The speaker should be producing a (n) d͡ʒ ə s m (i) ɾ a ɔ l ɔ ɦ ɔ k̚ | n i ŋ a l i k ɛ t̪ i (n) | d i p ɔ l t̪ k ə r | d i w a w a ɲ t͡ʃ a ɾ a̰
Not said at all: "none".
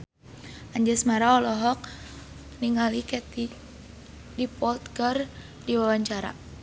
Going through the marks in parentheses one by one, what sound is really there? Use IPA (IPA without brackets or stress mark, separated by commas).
ɲ, a, none